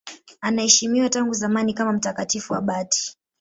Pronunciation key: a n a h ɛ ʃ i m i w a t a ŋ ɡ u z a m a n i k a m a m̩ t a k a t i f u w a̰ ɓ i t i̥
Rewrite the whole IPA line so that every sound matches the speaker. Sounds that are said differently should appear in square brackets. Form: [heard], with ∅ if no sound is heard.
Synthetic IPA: a n a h ɛ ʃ i m i w a t a ŋ ɡ u z a m a n i k a m a m̩ t a k a t i f u w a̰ ɓ [a] t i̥